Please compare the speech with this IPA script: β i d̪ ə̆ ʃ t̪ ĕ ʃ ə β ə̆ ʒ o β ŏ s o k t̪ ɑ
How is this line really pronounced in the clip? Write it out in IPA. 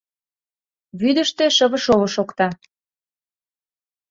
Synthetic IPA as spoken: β y d̪ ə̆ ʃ t̪ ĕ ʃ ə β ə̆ ʃ o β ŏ ʃ o k t̪ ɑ